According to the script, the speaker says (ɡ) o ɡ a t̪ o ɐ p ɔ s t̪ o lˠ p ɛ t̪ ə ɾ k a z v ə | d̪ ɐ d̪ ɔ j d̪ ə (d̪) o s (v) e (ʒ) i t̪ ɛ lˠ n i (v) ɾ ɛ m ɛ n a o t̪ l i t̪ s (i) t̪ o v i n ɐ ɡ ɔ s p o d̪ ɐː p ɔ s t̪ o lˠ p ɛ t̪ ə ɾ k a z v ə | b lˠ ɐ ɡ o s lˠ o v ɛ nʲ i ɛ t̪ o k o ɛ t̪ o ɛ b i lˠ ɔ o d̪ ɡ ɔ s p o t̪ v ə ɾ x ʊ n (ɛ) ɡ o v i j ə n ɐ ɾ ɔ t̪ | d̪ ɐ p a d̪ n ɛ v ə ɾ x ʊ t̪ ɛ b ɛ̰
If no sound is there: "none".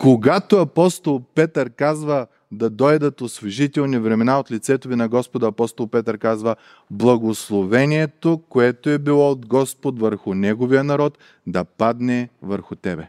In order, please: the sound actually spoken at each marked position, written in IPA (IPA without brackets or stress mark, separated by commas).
k, t̪, v, ʒ, v, ɛ, ɛ